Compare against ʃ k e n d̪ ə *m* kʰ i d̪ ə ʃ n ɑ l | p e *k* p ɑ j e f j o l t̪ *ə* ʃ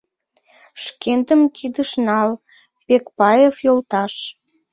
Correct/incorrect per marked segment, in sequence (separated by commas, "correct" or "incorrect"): correct, correct, incorrect